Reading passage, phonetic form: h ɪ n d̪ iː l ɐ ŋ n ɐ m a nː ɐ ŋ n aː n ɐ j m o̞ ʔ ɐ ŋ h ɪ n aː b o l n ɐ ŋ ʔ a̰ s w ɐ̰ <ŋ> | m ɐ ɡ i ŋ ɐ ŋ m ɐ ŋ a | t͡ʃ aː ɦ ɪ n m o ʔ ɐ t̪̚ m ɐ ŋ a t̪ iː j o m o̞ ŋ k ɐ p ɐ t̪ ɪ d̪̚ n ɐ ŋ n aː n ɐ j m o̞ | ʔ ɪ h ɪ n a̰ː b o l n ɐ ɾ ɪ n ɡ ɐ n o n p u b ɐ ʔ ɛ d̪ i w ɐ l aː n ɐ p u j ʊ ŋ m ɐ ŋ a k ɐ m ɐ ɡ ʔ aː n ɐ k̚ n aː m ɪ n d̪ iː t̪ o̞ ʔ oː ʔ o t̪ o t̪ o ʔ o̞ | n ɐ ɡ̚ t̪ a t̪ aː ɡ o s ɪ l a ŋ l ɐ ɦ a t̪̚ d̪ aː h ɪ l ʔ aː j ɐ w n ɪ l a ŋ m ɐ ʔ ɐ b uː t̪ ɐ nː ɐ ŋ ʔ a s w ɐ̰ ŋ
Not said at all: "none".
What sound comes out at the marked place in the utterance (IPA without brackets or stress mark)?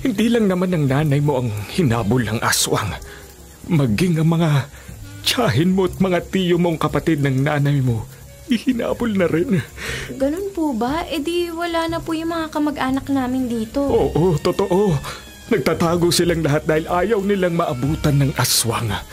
ŋ